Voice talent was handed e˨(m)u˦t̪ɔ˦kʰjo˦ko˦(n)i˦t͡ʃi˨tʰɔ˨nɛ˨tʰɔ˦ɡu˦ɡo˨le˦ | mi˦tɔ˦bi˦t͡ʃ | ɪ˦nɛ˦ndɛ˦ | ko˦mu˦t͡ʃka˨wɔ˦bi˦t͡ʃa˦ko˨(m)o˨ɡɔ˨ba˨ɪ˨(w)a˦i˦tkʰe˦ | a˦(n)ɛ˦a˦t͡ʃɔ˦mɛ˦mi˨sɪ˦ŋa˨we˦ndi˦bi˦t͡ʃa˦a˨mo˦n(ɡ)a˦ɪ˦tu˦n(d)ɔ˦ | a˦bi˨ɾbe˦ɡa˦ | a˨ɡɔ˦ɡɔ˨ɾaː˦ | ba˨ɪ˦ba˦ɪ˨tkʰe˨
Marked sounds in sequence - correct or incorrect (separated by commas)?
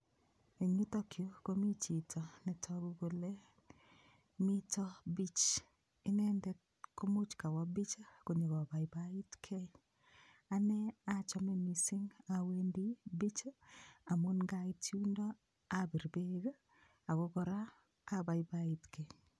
incorrect, incorrect, incorrect, incorrect, correct, correct, correct